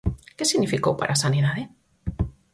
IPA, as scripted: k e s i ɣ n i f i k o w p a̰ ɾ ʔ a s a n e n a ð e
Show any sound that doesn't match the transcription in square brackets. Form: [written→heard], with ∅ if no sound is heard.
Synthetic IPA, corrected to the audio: k e s i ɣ n i f i k o w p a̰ ɾ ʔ a s a n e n a ð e